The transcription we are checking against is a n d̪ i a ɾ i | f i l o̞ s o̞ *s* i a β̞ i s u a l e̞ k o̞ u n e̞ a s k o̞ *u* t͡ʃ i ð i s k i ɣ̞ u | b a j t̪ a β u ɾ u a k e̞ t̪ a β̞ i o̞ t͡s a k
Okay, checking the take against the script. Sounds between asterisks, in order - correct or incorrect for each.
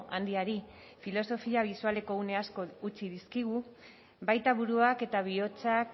incorrect, correct

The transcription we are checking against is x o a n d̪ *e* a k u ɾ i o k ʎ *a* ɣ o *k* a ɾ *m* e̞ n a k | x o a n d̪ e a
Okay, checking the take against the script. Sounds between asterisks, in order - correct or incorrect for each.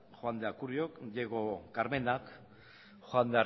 correct, incorrect, correct, correct

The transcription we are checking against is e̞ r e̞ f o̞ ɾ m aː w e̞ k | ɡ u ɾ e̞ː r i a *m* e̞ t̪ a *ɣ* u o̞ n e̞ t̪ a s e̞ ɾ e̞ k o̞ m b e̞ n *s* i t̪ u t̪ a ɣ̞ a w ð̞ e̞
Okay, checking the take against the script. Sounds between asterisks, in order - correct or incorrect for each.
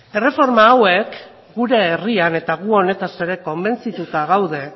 incorrect, correct, incorrect

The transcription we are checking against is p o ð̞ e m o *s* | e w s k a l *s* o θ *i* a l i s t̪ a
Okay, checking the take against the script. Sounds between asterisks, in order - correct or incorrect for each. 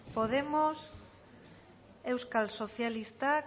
correct, correct, incorrect

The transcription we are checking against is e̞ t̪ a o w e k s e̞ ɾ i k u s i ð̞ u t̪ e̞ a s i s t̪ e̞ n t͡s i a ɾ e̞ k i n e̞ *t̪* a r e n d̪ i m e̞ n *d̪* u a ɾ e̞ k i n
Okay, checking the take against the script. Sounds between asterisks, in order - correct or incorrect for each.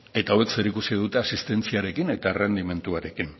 correct, incorrect

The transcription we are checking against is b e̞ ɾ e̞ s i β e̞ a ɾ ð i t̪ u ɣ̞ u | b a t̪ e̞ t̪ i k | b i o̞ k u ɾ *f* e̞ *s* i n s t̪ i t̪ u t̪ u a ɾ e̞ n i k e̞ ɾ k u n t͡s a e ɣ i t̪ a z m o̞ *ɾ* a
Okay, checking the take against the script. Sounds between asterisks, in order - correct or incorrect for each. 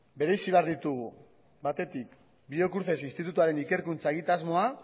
incorrect, correct, incorrect

